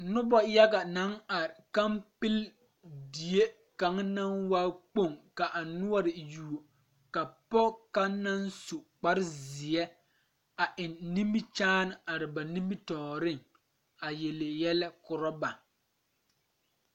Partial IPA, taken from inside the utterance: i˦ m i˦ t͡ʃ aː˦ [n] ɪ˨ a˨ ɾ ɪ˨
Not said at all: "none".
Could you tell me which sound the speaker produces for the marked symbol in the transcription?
n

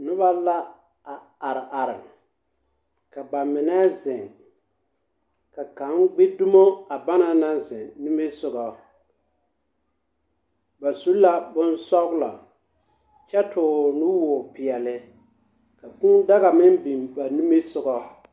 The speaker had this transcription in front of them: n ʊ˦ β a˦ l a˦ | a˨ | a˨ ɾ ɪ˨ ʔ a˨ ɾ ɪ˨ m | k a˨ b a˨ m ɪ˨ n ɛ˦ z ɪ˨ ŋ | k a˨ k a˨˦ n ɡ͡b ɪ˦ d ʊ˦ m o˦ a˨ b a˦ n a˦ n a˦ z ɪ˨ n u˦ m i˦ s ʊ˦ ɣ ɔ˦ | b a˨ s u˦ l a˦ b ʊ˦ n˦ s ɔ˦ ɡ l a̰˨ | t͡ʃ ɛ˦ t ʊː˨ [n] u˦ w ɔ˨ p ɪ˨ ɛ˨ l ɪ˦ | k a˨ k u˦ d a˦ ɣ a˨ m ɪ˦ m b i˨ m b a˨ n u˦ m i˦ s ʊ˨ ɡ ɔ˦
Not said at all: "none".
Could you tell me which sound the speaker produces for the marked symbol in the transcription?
n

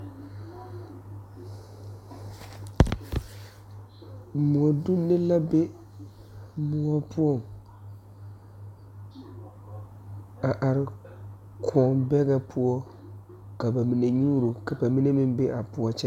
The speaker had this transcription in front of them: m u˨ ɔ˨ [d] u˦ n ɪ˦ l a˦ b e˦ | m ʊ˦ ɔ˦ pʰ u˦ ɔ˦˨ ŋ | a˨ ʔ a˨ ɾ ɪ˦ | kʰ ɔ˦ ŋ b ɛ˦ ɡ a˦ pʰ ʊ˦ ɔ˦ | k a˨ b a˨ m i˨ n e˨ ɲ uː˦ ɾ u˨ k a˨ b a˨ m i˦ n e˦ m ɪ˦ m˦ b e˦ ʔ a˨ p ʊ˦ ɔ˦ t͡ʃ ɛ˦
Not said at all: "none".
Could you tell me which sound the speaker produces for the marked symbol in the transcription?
d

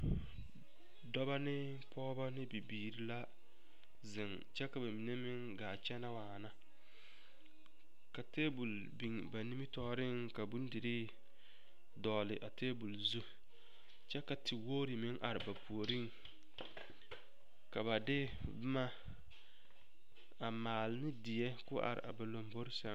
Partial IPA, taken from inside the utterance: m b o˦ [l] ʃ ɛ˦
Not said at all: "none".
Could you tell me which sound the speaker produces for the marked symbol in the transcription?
ɾ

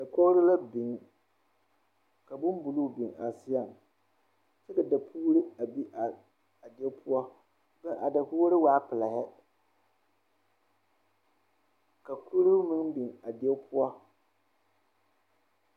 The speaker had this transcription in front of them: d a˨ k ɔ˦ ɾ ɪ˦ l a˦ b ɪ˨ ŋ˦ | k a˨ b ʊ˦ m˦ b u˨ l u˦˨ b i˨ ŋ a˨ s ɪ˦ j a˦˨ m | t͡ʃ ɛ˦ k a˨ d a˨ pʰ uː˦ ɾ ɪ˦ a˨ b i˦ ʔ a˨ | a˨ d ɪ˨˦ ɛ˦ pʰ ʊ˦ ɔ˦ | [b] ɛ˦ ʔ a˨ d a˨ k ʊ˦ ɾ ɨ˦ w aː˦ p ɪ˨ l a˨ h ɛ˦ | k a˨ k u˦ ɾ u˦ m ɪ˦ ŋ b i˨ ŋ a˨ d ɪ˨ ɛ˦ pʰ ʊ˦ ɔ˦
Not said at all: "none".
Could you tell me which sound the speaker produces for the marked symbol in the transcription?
b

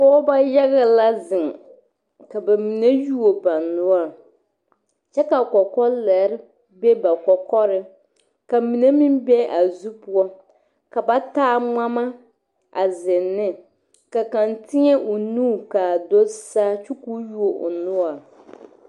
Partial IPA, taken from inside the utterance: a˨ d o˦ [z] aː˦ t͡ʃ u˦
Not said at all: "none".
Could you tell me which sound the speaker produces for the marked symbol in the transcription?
s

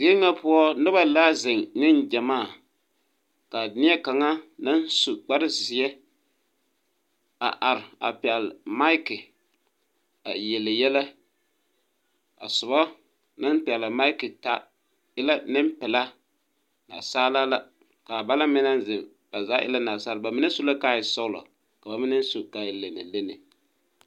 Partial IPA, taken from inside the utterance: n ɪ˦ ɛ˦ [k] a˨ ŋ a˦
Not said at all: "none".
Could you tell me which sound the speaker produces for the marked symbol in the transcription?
k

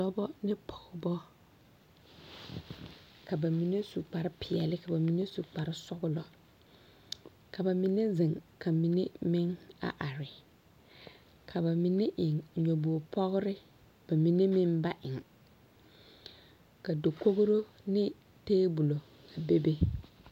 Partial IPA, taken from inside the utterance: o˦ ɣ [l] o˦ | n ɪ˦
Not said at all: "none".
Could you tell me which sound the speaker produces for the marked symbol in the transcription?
ɾ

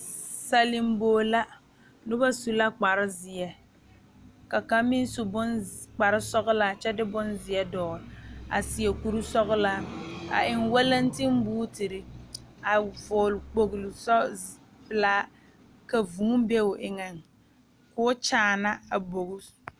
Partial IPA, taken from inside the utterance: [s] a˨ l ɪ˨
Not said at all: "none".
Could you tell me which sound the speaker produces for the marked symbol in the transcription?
s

